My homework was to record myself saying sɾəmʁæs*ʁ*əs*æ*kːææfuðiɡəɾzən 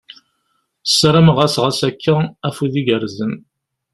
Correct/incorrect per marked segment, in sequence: correct, correct

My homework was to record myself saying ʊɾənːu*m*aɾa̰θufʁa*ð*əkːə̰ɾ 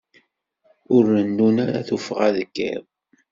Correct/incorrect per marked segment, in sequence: incorrect, correct

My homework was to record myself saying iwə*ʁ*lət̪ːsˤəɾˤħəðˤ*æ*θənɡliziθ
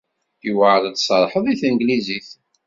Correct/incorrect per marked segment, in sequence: incorrect, incorrect

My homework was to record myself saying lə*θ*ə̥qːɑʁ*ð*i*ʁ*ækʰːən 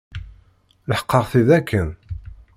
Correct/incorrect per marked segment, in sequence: incorrect, incorrect, incorrect

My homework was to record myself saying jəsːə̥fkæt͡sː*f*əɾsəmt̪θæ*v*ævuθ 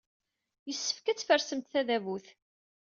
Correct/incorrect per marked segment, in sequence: correct, incorrect

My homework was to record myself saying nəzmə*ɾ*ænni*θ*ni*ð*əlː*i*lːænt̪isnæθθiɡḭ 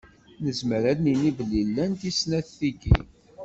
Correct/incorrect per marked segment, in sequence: correct, incorrect, incorrect, correct

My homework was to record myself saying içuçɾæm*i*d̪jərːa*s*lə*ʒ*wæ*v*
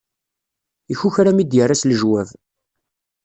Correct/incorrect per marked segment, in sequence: correct, correct, correct, correct

